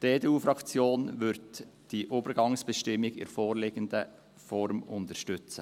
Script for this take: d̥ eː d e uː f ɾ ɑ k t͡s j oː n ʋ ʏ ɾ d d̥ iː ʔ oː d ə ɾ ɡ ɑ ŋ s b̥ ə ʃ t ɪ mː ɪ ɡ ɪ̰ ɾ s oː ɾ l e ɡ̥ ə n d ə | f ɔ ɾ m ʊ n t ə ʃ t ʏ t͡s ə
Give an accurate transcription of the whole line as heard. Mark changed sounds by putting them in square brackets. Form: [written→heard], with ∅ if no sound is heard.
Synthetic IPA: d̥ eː d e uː f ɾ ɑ k t͡s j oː n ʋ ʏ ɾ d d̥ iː ʔ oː [d→b] ə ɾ ɡ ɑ ŋ s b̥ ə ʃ t ɪ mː ɪ ɡ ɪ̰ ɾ [s→f] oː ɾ l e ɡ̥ ə n d ə | f ɔ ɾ m ʊ n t ə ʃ t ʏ t͡s ə